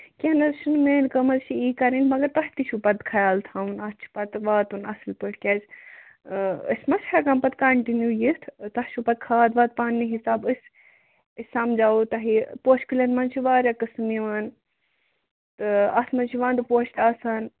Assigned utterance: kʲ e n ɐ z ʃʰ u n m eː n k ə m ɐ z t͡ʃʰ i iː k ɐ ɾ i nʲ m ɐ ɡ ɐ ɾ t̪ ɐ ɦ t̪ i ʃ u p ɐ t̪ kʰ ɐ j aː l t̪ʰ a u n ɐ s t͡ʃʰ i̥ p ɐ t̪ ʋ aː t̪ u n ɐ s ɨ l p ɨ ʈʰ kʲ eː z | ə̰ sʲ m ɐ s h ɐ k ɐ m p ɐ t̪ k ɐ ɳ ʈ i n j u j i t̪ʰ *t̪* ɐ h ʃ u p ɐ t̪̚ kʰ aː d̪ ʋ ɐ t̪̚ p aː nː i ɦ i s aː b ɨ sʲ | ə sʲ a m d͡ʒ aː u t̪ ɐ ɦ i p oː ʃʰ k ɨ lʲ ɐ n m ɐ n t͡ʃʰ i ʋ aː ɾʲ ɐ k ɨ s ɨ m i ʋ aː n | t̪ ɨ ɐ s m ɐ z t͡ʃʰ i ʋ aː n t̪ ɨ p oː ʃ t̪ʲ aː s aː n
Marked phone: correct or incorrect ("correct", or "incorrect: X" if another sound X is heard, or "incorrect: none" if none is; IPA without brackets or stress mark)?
correct